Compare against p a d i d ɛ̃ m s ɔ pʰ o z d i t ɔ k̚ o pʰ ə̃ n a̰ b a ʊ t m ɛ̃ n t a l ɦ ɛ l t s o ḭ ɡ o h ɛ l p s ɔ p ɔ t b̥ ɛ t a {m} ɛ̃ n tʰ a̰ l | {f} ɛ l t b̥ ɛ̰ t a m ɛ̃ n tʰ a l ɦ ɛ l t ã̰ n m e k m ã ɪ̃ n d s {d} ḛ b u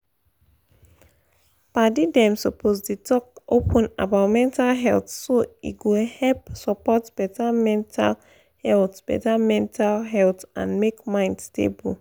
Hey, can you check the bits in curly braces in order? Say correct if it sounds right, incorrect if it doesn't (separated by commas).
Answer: correct, incorrect, incorrect